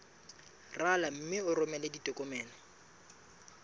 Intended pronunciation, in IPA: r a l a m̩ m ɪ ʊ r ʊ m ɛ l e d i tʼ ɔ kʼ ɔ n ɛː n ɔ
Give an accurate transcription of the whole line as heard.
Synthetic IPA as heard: r a l a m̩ m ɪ ʊ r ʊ m ɛ l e d i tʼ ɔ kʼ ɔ m ɛː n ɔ